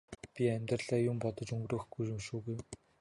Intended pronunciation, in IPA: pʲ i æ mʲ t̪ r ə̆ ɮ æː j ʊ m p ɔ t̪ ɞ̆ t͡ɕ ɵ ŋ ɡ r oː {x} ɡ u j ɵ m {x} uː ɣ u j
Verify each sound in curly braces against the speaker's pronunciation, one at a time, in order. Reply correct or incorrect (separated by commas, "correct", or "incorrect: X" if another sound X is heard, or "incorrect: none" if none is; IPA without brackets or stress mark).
correct, incorrect: ʃ